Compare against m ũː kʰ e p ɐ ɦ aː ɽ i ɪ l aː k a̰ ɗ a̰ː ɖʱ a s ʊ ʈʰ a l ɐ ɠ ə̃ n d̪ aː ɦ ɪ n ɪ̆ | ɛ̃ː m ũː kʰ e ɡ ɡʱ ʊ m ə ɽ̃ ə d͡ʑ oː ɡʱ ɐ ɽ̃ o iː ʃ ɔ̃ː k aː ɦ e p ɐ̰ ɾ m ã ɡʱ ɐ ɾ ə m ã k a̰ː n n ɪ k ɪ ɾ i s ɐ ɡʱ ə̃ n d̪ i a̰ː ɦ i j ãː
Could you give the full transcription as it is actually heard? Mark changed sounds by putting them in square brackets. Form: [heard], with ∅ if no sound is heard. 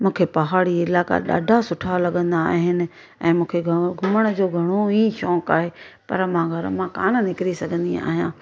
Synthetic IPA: m ũː kʰ e p ɐ ɦ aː ɽ i ɪ l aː k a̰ ɗ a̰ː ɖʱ a s ʊ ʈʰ a l ɐ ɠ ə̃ n d̪ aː ɦ ɪ n ɪ̆ | ɛ̃ː m ũː kʰ e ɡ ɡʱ ʊ m ə ɽ̃ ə d͡ʑ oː ɡʱ ɐ ɽ̃ o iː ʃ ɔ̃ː k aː ɦ e p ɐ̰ ɾ m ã ɡʱ ɐ ɾ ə m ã k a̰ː n n ɪ k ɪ ɾ i s ɐ ɡʱ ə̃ n d̪ i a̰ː ɦ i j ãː

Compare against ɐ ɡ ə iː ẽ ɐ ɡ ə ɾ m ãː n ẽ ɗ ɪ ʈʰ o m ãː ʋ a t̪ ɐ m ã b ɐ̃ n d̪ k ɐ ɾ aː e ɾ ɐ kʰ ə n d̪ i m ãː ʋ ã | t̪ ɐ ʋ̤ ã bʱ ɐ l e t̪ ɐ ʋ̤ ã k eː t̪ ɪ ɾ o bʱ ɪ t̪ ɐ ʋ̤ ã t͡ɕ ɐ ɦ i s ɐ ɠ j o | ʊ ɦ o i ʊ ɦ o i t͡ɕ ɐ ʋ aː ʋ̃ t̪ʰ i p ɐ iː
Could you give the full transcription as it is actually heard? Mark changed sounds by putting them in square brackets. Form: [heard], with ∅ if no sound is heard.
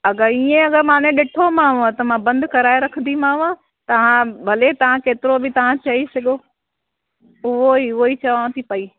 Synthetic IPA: ɐ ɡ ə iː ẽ ɐ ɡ ə ɾ m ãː n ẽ ɗ ɪ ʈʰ o m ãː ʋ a t̪ ɐ m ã b ɐ̃ n d̪ k ɐ ɾ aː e ɾ ɐ kʰ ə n d̪ i m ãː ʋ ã | t̪ ɐ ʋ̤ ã bʱ ɐ l e t̪ ɐ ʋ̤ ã k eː t̪ ɪ ɾ o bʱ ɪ t̪ ɐ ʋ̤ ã t͡ɕ ɐ ɦ i s ɐ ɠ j o | ʊ ɦ o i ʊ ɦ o i t͡ɕ ɐ ʋ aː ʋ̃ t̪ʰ i p ɐ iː

